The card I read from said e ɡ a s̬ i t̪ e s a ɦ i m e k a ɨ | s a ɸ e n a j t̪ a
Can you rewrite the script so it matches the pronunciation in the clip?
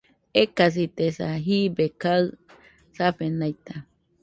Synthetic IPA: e k a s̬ i t̪ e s a ɦ i b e k a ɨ | s a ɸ e n a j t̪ a

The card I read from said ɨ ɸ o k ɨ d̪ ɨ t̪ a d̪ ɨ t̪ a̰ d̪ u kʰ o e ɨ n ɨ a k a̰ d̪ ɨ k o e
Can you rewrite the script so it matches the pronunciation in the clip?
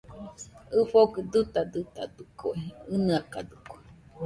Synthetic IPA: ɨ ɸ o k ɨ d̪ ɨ t̪ a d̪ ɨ t̪ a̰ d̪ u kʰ o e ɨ n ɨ a k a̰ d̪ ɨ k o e

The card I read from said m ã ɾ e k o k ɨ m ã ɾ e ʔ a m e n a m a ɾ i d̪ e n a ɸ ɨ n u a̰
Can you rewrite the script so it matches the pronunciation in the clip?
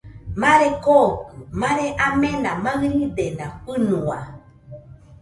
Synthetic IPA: m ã ɾ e k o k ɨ m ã ɾ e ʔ a m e n a m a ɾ i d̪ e n a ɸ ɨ n u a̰

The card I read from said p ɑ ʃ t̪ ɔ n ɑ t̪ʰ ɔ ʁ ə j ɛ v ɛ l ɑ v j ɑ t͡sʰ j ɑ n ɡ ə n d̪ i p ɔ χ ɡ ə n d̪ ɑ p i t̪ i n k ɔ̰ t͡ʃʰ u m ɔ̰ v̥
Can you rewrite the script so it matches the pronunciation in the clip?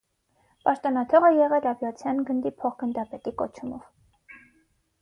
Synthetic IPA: p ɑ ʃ t̪ ɔ n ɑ t̪ʰ ɔ ʁ ə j ɛ ʁ ɛ l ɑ v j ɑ t͡sʰ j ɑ n ɡ ə n d̪ i pʰ ɔ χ ɡ ə n d̪ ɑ p ɛ t̪ i k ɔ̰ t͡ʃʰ u m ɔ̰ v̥

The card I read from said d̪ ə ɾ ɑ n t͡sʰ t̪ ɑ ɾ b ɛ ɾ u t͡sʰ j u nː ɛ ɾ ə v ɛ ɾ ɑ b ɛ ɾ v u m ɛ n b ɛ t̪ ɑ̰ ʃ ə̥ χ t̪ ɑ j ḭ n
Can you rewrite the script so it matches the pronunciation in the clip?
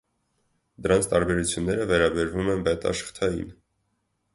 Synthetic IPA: d̪ ə ɾ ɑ n t͡sʰ t̪ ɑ ɾ b ɛ ɾ u t͡sʰ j u nː ɛ ɾ ə v ɛ ɾ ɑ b ɛ ɾ v u m ɛ n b ɛ t̪ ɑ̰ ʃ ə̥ χ t̪ʰ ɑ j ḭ n

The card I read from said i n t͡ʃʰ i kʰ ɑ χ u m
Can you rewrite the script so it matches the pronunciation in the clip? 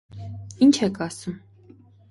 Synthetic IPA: i n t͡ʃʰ ɛ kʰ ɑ s u m

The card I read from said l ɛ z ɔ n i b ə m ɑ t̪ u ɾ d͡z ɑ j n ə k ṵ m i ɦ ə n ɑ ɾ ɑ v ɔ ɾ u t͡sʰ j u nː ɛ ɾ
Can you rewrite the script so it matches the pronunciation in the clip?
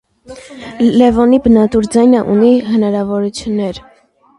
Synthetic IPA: l ɛ v ɔ n i b ə n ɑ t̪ u ɾ d͡z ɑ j n ə ʔ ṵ n i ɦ ə n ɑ ɾ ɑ v ɔ ɾ u t͡sʰ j u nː ɛ ɾ

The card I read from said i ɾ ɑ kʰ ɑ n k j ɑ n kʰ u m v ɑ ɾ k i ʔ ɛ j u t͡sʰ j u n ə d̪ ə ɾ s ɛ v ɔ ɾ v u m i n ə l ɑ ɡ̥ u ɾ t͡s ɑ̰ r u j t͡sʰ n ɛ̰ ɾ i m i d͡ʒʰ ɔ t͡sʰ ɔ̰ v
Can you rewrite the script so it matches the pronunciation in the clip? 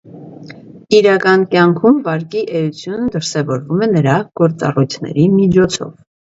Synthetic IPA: i ɾ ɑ k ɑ n k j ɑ ŋ kʰ u m v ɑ ɾ k i ʔ ɛ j u t͡sʰ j u n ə d̪ ə ɾ s ɛ v ɔ ɾ v u m ɛ n ə ɾ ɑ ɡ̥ ɔ ɾ t͡s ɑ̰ r u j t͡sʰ n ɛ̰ ɾ i m i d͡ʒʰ ɔ t͡sʰ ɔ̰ v

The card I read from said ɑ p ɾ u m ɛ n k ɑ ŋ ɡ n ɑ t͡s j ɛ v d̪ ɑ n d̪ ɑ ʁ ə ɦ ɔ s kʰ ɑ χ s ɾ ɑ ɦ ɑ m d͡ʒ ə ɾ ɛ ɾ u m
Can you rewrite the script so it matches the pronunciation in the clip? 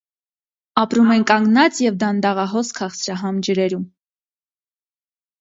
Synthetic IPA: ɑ p ɾ u m ɛ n k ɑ ŋ ɡ n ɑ t͡s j ɛ v d̪ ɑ n d̪ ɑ ʁ ɑ ɦ ɔ s kʰ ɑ χ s ɾ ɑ ɦ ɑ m d͡ʒ ə ɾ ɛ ɾ u m

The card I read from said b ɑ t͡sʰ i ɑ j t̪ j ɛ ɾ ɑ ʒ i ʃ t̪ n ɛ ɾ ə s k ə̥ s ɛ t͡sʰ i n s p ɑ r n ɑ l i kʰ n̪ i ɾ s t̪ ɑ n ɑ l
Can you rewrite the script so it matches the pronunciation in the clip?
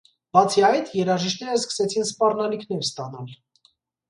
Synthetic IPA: b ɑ t͡sʰ i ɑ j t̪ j ɛ ɾ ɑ ʒ i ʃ t̪ n ɛ ɾ ə s k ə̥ s ɛ t͡sʰ i n s p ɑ r n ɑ l i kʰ n̪ ɛ ɾ s t̪ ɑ n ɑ l

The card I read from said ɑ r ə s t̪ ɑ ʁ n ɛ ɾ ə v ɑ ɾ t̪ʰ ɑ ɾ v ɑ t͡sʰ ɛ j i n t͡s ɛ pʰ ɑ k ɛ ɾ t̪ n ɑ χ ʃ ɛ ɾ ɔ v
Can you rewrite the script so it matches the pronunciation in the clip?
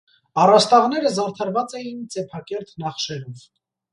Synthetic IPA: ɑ r ɑ s t̪ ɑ ʁ n ɛ ɾ ə z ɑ ɾ t̪ʰ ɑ ɾ v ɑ t͡s ɛ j i n t͡s ɛ pʰ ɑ k ɛ ɾ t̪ n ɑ χ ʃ ɛ ɾ ɔ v

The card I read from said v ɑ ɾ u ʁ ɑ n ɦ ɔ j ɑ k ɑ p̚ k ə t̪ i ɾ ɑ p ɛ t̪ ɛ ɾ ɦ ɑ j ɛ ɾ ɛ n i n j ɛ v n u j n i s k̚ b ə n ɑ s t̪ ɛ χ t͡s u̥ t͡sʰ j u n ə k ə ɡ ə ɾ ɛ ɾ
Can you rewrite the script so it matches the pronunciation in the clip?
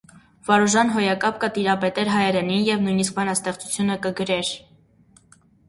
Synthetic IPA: v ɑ ɾ u ʒ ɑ n ɦ ɔ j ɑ k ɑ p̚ k ə t̪ i ɾ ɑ p ɛ t̪ ɛ ɾ ɦ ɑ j ɛ ɾ ɛ n i n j ɛ v n u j n i s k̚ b ɑ n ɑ s t̪ ɛ χ t͡s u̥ t͡sʰ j u n ə k ə ɡ ə ɾ ɛ ɾ

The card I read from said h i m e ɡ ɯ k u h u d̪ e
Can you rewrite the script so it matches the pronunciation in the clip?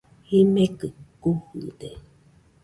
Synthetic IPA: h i m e k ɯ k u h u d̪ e

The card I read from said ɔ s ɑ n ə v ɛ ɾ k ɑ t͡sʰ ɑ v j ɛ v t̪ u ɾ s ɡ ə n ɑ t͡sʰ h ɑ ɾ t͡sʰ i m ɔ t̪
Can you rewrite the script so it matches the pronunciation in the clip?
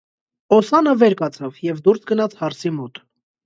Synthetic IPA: ɔ s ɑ n ə v ɛ ɾ k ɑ t͡sʰ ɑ v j ɛ v d̪ u ɾ s ɡ ə n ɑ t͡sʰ h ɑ ɾ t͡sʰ i m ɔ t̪

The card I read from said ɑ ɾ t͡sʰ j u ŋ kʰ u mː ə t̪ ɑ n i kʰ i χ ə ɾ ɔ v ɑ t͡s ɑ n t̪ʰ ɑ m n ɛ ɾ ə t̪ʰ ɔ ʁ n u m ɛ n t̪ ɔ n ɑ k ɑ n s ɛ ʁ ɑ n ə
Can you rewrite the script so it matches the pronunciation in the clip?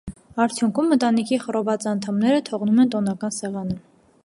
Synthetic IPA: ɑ ɾ t͡sʰ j u ŋ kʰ u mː ə t̪ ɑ n i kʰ i χ ə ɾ ɔ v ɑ t͡s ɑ n t̪ʰ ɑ m n ɛ ɾ ə t̪ʰ ɔ ʁ n u m ɛ n t̪ ɔ n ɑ k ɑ n s ɛ ʁ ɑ n ə

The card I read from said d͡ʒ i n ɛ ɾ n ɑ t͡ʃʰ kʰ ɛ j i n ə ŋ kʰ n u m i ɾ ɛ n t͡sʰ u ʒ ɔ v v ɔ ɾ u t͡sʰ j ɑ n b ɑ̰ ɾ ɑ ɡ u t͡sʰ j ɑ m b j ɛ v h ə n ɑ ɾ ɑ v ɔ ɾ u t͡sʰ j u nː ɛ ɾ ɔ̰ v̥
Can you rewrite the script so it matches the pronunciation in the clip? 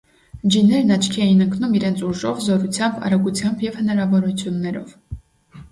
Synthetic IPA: d͡ʒ i n ɛ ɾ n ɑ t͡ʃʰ kʰ ɛ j i n ə ŋ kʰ n u m i ɾ ɛ n t͡sʰ u ʒ ɔ v z ɔ ɾ u t͡sʰ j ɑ m b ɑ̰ ɾ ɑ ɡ u t͡sʰ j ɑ m b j ɛ v h ə n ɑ ɾ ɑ v ɔ ɾ u t͡sʰ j u nː ɛ ɾ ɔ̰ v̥

